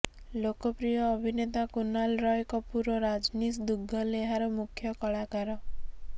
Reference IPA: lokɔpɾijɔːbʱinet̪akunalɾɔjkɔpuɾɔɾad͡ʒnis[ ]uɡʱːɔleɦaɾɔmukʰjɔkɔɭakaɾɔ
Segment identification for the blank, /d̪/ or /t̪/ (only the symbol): d̪